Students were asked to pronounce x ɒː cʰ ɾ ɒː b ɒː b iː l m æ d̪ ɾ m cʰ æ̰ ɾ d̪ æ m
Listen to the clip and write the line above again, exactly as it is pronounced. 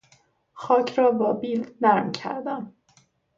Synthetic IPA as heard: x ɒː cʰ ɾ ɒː b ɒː b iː l n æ ɾ m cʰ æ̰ ɾ d̪ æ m